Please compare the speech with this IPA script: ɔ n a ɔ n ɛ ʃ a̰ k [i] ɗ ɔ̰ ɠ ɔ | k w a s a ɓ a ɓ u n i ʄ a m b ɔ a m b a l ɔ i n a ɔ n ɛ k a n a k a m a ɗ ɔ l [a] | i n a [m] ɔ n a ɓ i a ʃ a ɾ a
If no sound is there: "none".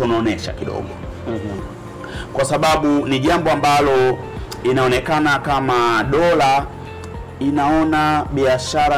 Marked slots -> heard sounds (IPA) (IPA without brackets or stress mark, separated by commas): i, a, none